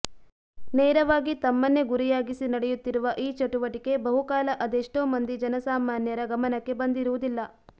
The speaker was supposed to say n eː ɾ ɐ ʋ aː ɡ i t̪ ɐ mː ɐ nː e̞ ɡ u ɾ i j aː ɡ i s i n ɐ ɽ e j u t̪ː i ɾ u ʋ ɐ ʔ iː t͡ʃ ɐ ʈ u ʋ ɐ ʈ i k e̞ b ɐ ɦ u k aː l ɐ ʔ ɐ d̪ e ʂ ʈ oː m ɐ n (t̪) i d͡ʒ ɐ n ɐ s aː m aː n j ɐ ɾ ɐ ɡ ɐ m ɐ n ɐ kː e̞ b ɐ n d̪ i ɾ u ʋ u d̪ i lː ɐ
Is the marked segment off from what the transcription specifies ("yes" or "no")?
yes